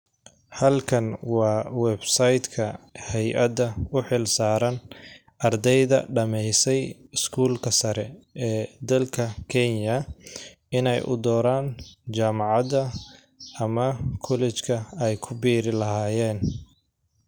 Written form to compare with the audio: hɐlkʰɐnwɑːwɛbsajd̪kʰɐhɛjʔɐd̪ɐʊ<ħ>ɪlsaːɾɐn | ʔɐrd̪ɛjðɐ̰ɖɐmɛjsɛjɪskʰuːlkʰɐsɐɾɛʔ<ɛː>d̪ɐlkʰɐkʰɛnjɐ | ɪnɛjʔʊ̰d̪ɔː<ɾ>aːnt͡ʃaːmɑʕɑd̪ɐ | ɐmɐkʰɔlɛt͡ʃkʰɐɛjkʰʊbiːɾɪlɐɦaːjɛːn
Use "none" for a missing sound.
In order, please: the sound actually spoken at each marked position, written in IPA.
ħ, ɛː, ɾ

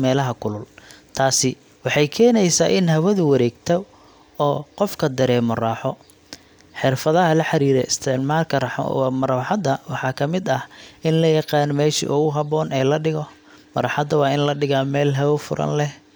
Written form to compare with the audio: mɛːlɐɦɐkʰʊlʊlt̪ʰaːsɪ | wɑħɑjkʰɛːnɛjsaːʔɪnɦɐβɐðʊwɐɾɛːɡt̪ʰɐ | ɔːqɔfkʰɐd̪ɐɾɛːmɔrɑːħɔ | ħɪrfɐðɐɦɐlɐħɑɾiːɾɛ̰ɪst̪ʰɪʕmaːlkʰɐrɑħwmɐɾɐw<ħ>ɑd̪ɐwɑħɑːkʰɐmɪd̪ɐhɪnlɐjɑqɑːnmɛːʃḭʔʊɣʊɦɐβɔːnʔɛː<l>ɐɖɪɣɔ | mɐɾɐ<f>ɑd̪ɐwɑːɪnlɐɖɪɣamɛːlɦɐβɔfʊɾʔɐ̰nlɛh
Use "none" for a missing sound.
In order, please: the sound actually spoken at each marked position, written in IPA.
ħ, l, ħ

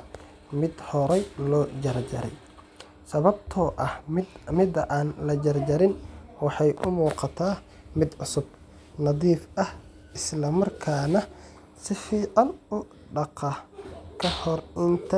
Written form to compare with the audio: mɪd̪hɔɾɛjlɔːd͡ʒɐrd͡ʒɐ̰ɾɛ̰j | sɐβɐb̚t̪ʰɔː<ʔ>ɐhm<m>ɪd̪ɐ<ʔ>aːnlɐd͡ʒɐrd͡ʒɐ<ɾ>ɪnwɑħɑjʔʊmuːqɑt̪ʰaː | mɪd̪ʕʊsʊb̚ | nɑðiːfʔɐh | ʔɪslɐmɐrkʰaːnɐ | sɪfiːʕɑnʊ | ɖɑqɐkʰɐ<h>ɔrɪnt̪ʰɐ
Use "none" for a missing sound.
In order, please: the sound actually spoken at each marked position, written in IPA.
ʔ, m, ʔ, ɾ, h

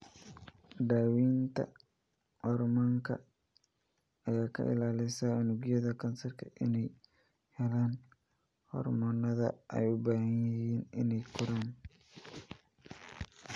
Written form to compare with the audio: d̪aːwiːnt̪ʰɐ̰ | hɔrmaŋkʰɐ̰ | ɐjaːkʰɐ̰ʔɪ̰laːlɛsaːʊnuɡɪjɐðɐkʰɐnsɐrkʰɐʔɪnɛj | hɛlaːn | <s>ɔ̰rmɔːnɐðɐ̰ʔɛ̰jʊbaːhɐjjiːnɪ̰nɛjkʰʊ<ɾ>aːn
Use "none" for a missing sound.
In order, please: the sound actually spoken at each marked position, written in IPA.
h, ɾ

